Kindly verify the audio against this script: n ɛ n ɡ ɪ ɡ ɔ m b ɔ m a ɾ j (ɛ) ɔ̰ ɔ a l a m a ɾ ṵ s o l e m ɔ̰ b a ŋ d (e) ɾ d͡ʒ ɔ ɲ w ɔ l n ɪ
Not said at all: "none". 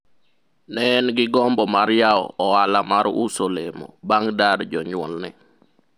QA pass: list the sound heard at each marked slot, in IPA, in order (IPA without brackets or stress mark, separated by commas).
a, a